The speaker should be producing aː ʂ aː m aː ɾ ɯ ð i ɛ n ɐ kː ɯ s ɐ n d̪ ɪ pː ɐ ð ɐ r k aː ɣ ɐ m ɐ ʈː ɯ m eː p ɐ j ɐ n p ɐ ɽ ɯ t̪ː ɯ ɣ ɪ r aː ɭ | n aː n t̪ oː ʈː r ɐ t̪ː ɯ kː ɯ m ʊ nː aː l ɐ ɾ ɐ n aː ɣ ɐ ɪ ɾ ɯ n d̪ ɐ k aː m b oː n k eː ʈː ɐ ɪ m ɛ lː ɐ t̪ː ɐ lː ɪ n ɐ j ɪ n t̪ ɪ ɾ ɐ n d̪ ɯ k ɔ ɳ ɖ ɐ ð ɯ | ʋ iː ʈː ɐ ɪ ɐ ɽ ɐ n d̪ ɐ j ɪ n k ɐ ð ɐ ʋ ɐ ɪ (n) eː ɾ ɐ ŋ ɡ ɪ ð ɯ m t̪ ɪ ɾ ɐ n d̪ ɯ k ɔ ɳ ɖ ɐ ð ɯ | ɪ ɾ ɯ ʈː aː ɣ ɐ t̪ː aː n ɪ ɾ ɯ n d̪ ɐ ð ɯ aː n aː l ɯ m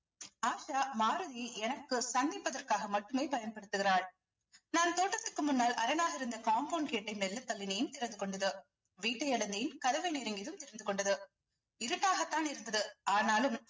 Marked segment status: correct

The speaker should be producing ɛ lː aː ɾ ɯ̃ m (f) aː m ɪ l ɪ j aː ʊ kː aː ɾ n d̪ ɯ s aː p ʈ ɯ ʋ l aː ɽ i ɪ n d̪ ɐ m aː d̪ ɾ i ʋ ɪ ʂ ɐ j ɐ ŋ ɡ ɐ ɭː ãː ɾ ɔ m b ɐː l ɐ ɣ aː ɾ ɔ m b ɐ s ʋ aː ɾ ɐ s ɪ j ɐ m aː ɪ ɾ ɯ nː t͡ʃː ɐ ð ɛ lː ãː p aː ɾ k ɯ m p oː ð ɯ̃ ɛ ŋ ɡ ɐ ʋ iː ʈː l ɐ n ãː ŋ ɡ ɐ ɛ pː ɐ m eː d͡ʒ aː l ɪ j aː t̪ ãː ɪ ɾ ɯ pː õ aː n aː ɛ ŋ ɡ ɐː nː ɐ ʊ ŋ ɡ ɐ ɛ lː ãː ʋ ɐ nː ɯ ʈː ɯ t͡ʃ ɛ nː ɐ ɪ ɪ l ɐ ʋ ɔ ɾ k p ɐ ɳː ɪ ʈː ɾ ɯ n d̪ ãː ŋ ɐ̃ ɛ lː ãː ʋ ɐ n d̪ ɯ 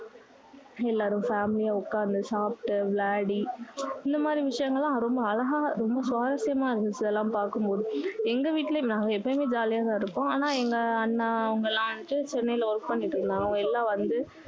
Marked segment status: correct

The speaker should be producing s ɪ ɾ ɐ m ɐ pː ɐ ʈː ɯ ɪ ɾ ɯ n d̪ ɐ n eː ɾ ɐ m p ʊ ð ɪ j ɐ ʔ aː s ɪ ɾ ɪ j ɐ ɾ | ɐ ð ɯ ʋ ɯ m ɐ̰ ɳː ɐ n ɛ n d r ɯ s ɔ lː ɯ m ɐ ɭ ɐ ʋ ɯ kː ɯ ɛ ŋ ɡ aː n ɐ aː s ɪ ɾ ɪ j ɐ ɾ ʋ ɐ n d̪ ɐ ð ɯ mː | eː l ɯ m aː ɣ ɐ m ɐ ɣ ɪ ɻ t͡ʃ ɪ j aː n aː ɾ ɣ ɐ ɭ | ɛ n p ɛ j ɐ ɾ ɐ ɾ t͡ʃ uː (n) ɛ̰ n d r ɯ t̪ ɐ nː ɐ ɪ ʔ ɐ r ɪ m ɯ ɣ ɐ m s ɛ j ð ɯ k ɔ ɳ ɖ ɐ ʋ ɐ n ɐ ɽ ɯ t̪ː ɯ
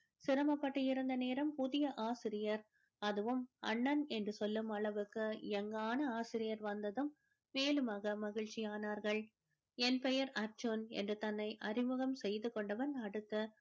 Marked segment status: correct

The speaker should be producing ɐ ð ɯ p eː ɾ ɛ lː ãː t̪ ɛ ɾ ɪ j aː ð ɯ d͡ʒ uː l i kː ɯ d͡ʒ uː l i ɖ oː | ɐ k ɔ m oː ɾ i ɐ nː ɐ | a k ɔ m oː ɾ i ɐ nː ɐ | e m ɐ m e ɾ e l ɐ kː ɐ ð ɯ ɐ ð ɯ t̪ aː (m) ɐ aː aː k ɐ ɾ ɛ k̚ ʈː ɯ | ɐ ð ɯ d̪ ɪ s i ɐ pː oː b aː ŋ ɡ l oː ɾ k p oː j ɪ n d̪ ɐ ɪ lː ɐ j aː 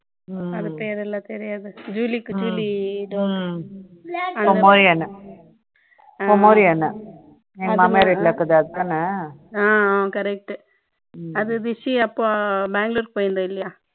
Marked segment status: incorrect: n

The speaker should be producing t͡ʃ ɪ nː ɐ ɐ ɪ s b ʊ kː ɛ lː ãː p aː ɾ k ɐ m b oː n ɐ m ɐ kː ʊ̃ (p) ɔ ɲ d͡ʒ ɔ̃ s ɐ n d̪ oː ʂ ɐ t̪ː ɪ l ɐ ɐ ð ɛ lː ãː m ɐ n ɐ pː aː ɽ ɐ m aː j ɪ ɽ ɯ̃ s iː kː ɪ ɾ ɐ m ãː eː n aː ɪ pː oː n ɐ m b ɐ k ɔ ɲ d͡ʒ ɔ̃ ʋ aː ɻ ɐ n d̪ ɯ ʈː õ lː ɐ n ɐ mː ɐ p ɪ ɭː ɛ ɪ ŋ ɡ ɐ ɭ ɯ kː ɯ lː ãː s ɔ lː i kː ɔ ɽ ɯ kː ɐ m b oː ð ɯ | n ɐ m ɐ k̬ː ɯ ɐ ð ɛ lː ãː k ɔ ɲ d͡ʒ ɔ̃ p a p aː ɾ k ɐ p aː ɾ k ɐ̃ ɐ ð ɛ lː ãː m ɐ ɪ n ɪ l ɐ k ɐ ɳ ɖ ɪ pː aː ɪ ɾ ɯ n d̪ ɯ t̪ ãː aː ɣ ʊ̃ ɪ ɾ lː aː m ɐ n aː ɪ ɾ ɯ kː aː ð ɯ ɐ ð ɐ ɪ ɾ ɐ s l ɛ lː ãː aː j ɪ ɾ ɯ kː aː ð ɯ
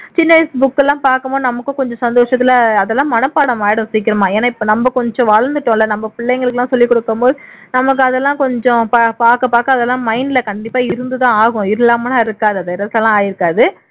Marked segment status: incorrect: k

